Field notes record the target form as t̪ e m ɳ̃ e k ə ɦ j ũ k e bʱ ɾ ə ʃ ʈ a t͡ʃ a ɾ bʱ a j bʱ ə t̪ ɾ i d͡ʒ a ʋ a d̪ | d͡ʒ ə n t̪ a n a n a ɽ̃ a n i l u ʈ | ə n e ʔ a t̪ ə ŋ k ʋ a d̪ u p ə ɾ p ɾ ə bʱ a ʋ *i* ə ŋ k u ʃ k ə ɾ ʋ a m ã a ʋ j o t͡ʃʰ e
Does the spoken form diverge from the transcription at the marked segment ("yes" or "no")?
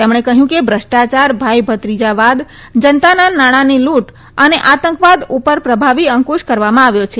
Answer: no